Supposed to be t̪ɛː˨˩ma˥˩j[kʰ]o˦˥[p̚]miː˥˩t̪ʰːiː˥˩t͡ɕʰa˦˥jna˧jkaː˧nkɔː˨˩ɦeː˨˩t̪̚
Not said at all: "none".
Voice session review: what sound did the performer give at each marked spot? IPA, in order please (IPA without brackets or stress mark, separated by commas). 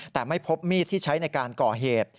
pʰ, p̚